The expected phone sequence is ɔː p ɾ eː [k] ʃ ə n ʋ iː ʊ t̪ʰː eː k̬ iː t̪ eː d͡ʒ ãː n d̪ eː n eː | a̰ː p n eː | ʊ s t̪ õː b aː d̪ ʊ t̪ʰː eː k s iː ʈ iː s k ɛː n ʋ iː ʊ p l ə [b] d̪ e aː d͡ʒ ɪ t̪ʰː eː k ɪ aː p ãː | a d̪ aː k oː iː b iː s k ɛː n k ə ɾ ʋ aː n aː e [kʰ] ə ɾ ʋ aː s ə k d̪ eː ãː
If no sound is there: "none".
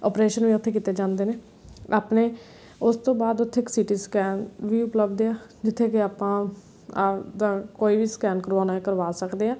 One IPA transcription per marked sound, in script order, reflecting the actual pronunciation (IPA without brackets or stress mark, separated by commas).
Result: none, b, k